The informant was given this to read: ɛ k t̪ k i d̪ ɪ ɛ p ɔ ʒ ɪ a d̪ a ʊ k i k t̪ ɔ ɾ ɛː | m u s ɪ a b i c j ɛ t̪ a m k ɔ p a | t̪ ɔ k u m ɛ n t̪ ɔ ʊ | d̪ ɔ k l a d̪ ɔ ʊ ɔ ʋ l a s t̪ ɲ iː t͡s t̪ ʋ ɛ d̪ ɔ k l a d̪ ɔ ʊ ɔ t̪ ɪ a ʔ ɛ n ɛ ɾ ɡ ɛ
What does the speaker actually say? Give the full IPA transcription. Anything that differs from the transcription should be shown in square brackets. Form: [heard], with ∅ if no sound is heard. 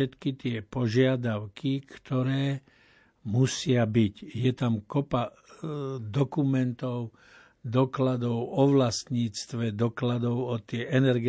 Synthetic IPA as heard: ɛ [∅] t̪ k i [t̪] ɪ ɛ p ɔ ʒ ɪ a d̪ a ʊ k i k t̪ ɔ ɾ ɛː | m u s ɪ a b i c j ɛ t̪ a m k ɔ p a | [d̪] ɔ k u m ɛ n t̪ ɔ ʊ | d̪ ɔ k l a d̪ ɔ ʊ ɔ ʋ l a s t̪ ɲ iː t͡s t̪ ʋ ɛ d̪ ɔ k l a d̪ ɔ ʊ ɔ t̪ ɪ [ɛ] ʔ ɛ n ɛ ɾ ɡ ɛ